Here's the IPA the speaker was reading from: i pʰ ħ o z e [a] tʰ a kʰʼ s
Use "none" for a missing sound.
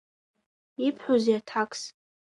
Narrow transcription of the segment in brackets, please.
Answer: a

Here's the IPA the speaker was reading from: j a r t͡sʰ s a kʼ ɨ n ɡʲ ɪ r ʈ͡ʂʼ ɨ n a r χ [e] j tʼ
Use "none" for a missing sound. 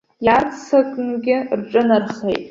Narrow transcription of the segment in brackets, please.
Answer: e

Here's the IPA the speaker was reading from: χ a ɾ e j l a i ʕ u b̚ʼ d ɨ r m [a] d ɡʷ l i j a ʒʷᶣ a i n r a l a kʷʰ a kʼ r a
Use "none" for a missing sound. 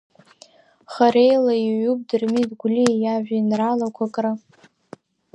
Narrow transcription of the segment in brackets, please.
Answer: i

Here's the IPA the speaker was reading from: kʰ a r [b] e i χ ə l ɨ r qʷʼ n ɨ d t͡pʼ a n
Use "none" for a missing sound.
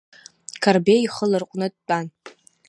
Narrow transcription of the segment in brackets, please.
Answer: b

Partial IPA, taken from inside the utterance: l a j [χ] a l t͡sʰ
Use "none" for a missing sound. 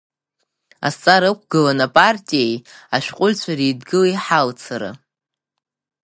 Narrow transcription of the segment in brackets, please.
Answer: ħ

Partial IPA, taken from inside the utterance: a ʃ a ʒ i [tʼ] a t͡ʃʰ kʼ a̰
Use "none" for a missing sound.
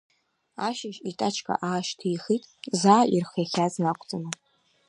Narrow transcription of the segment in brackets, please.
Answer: tʼ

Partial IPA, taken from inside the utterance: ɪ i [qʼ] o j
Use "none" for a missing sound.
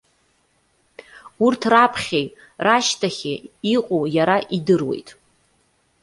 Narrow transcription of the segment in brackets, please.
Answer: qʼ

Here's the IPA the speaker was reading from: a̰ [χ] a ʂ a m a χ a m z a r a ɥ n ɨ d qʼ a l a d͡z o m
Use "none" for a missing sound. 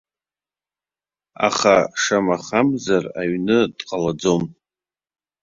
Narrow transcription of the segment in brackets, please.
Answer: χ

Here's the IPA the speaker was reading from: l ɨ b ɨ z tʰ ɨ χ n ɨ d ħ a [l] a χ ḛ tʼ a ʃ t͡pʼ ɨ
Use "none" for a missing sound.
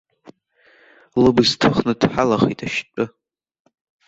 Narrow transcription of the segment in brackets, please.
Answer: l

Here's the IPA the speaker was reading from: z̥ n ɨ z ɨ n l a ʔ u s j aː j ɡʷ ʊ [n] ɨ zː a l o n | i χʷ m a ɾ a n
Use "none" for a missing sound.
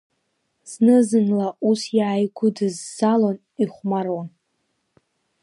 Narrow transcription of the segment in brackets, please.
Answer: d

